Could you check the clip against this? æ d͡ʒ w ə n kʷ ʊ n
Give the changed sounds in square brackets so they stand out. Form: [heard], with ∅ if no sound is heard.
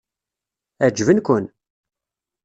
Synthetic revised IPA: æ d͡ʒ [v] ə n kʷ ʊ n